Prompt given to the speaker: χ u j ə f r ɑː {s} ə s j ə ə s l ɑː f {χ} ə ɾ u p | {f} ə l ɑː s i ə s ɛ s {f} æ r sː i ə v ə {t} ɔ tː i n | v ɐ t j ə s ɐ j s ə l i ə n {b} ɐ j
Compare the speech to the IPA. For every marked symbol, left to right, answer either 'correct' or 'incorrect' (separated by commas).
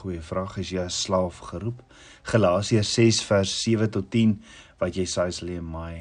incorrect, correct, incorrect, correct, correct, incorrect